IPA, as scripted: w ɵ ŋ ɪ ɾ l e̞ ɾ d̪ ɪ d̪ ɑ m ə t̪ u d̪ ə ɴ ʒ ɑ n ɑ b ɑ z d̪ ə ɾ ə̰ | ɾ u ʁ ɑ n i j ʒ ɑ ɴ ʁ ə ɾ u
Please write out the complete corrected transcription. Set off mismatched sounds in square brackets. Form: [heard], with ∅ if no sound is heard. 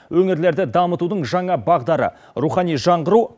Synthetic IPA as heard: w ɵ ŋ ɪ ɾ l e̞ ɾ d̪ ɪ d̪ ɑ m ə t̪ u d̪ ə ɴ ʒ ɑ [ɴ] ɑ b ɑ [ʁ] d̪ [ɑ] ɾ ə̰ | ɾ u [χ] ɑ n i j ʒ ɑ ɴ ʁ ə ɾ u